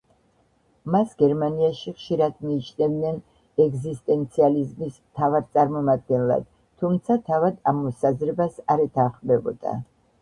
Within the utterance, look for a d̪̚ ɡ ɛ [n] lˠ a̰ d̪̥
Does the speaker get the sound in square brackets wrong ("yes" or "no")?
no